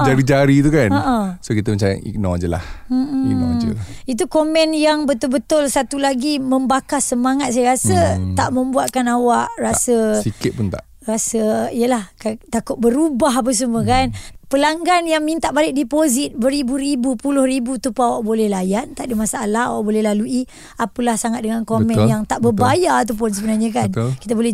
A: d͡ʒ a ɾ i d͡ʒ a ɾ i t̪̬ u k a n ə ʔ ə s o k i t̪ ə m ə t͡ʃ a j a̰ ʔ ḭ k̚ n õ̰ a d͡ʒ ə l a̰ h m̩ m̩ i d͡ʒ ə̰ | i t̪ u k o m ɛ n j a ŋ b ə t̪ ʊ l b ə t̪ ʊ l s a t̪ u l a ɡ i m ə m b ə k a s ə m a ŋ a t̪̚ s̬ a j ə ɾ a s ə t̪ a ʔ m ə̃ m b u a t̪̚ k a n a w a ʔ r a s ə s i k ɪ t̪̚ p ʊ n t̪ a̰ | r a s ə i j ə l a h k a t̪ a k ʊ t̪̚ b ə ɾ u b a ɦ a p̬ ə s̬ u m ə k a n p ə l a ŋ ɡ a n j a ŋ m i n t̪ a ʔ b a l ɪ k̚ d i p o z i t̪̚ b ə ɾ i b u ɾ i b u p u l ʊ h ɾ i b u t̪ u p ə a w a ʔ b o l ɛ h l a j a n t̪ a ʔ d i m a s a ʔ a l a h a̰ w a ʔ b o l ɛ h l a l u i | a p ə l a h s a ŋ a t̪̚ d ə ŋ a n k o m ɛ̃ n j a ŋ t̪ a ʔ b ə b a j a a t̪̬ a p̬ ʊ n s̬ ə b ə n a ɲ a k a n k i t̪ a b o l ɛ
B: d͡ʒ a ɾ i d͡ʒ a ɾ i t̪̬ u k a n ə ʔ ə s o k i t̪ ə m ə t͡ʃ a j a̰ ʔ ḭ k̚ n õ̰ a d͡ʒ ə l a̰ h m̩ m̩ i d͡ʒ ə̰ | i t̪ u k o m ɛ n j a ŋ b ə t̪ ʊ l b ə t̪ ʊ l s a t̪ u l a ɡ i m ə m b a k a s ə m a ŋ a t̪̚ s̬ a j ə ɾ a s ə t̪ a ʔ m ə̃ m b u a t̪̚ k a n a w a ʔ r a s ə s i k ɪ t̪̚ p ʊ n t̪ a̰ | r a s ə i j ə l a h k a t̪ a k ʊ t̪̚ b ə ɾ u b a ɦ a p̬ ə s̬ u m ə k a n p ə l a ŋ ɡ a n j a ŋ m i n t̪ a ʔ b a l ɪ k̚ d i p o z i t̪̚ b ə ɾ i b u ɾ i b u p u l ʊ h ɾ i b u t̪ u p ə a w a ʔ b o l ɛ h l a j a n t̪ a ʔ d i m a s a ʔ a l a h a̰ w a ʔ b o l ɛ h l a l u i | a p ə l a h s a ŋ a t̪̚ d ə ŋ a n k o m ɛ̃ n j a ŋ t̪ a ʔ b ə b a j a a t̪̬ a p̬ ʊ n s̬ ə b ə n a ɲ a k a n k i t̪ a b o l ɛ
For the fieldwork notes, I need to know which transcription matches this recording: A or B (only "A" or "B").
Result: B